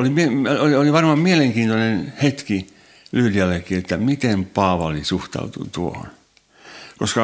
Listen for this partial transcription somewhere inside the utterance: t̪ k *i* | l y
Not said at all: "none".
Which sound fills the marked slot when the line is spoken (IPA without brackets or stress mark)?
i